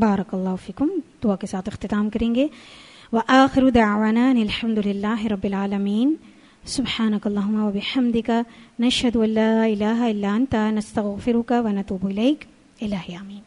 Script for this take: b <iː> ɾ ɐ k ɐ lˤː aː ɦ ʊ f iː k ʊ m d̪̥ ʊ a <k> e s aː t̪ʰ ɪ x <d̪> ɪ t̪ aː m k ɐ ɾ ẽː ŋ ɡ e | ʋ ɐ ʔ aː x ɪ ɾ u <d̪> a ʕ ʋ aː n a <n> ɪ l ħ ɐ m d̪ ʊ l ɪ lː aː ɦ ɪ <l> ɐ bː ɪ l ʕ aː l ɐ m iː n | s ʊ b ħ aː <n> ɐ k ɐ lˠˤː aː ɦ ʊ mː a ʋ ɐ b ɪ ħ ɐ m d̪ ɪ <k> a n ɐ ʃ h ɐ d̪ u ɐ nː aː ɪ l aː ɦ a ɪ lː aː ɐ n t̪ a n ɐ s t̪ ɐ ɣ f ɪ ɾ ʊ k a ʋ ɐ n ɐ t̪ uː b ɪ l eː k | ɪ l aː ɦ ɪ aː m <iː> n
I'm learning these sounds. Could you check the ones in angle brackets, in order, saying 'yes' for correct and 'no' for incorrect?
no, yes, no, yes, yes, no, yes, yes, yes

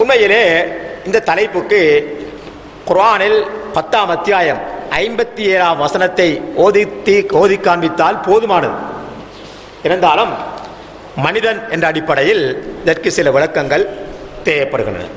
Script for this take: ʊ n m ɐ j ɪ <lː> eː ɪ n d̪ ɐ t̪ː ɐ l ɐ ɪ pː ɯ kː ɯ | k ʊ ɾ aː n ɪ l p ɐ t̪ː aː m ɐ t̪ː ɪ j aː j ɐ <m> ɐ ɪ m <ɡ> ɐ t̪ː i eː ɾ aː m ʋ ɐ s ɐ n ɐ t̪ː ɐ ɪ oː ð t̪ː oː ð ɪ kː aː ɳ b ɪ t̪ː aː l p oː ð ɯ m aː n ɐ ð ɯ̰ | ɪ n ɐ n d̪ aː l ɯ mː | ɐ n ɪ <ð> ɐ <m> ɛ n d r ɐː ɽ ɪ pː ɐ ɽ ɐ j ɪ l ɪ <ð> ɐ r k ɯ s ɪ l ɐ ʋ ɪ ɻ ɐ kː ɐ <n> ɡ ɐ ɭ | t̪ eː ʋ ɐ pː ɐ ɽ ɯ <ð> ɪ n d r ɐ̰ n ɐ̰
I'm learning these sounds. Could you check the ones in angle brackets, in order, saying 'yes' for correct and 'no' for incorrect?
no, yes, no, yes, no, yes, no, no

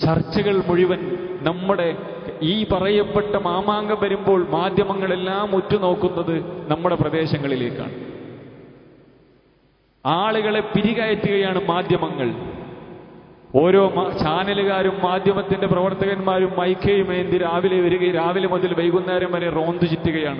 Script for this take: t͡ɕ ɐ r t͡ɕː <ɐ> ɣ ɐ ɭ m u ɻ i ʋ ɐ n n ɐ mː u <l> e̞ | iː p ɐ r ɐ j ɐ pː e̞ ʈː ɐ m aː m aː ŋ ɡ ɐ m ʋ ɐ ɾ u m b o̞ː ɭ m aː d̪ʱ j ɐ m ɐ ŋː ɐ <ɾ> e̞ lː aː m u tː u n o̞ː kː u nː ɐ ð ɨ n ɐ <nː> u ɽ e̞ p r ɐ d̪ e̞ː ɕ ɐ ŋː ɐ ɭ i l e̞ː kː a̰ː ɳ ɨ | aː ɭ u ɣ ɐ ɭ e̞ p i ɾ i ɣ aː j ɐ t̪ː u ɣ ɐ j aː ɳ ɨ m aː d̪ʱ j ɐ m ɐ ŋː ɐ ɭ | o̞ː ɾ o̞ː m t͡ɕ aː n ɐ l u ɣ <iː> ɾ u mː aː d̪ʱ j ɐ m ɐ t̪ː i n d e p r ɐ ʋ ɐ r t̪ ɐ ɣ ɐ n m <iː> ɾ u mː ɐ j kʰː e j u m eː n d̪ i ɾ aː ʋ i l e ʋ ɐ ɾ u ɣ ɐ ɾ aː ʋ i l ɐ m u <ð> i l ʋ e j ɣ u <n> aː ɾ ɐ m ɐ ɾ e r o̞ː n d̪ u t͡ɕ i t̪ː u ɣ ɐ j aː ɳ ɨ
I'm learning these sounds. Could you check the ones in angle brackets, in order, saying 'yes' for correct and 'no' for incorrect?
yes, no, no, no, no, no, yes, no

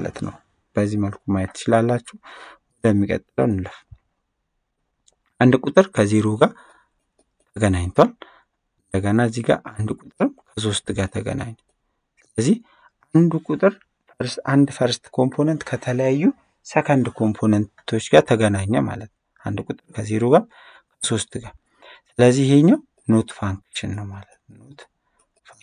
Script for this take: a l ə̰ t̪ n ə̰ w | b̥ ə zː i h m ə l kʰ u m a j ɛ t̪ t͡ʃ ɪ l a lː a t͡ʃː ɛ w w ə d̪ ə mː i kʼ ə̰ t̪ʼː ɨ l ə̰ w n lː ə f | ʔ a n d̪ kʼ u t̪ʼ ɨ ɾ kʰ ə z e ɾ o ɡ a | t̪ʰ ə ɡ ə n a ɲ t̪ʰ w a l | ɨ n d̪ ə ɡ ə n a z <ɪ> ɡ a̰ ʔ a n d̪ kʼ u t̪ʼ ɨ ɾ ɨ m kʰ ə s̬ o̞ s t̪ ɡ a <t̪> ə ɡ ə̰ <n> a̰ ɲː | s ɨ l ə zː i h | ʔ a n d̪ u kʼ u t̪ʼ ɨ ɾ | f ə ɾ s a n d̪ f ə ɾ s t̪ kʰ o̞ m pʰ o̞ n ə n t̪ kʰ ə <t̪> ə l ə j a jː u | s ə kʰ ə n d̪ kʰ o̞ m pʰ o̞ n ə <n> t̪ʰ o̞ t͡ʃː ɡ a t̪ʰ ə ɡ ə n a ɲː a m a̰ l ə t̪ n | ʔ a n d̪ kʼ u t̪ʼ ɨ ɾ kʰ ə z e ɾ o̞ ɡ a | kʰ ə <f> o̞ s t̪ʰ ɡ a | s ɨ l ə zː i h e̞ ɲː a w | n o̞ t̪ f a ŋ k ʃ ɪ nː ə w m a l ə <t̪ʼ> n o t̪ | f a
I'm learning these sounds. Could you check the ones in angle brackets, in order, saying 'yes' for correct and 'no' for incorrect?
no, no, yes, no, yes, no, no

